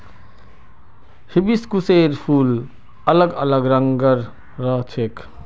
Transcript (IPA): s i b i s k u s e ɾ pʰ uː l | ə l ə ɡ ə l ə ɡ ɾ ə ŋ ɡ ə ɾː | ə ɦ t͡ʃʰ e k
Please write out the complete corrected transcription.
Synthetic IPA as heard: h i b i s k u s e ɾ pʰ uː l | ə l ə ɡ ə l ə ɡ ɾ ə ŋ ɡ ə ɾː | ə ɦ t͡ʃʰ e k